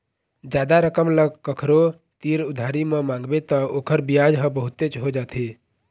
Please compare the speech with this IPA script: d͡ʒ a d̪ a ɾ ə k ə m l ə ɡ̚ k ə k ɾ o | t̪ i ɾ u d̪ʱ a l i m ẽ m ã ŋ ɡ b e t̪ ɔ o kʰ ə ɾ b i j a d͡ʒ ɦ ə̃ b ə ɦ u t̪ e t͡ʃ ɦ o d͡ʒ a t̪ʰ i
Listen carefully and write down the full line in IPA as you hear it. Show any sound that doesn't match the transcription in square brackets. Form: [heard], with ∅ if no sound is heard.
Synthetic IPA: d͡ʒ a d̪ a ɾ ə k ə m l ə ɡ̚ k ə [kʰ] ɾ o | t̪ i ɾ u d̪ʱ a [ɾ] i m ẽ m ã ŋ ɡ b e t̪ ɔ o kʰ ə ɾ b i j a d͡ʒ ɦ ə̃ b ə ɦ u t̪ e t͡ʃ ɦ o d͡ʒ a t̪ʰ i